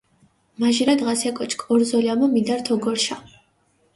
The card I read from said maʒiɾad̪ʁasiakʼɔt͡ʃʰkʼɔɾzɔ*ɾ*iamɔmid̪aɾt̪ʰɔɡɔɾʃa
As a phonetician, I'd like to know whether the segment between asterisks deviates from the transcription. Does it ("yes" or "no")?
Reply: yes